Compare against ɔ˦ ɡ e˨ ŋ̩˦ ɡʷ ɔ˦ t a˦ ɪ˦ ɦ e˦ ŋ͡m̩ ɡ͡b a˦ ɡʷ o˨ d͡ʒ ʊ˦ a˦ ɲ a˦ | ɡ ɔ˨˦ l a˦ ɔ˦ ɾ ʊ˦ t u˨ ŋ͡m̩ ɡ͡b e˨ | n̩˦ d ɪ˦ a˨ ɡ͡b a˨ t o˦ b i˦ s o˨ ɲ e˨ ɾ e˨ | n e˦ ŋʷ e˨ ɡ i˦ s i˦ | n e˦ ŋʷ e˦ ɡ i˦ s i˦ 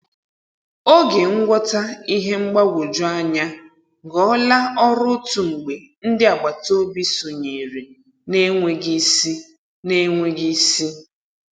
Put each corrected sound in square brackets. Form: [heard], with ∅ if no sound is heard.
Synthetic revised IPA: [o˦] ɡ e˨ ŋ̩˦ ɡʷ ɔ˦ t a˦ [i˦] ɦ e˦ ŋ͡m̩ ɡ͡b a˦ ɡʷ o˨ d͡ʒ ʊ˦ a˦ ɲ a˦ | ɡ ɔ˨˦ l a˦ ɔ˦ ɾ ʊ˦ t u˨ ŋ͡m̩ ɡ͡b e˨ | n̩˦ d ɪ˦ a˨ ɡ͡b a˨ t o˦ b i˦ s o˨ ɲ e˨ ɾ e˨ | n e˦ ŋʷ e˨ ɡ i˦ s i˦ | n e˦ ŋʷ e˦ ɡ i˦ s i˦